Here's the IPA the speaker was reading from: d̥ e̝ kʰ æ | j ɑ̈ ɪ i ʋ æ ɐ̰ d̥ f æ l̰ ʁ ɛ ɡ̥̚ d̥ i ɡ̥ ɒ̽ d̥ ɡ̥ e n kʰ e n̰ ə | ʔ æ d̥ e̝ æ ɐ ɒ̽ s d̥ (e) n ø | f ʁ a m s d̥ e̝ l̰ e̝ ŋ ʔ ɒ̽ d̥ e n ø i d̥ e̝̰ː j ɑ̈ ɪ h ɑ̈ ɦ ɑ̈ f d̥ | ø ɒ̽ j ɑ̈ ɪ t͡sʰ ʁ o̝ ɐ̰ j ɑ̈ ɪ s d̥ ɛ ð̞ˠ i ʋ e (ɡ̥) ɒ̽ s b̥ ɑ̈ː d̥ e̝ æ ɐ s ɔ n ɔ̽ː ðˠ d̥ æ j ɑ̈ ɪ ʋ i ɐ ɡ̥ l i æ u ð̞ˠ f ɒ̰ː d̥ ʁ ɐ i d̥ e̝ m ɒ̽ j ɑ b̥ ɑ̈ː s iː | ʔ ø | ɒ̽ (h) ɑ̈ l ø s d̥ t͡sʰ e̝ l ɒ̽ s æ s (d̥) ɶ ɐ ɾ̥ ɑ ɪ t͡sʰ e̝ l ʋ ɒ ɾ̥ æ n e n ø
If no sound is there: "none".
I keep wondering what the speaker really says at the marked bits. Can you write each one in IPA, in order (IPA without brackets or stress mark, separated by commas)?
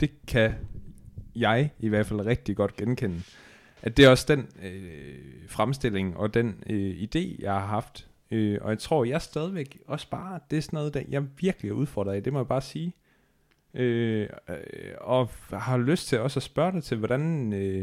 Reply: e, ɡ̥, h, b̥